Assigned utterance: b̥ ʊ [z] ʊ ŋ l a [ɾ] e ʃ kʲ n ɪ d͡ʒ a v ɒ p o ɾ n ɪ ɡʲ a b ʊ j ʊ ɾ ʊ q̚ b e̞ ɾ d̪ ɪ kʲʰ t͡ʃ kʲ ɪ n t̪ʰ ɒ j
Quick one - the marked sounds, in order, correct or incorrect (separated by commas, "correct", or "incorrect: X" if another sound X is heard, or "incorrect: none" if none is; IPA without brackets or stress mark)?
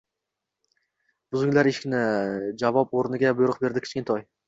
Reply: correct, correct